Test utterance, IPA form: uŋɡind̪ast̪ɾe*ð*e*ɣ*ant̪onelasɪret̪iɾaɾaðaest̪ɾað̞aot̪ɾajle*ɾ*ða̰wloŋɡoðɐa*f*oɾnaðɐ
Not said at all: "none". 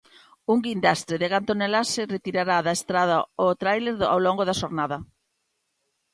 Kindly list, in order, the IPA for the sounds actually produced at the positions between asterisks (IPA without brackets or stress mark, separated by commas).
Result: ð, ɣ, ɾ, ʃ